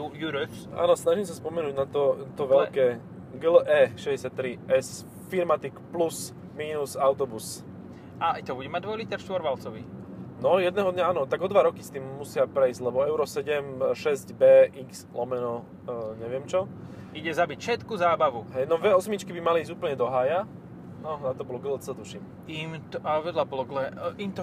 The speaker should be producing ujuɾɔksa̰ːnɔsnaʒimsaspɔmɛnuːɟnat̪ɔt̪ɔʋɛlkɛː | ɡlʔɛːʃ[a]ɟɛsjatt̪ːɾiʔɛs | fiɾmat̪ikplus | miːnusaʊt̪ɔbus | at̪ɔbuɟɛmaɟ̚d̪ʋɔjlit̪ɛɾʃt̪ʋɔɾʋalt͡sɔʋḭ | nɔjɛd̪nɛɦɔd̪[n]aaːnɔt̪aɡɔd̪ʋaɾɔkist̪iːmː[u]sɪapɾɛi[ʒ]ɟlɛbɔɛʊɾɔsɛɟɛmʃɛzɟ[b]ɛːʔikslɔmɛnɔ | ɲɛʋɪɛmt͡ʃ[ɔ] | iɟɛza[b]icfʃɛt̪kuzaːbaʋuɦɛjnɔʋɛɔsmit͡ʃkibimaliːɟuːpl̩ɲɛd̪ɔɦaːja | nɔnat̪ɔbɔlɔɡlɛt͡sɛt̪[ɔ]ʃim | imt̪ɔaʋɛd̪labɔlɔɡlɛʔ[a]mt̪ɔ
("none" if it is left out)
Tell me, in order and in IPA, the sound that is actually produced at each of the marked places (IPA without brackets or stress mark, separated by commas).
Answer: ɛ, ɲ, u, z, b, ɔ, b, u, i